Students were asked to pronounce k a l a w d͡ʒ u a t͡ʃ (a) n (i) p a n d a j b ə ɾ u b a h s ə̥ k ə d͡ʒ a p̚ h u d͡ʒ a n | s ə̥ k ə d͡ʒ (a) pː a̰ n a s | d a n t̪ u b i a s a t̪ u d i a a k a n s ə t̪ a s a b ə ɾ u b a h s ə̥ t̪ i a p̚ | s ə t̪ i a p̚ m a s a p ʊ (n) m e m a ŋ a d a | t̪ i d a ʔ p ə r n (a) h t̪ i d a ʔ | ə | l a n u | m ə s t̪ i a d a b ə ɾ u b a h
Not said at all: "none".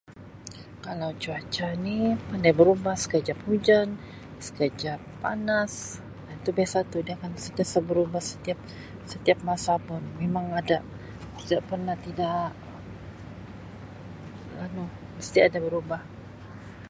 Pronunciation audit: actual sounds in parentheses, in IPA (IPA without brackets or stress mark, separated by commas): a, i, a, n, a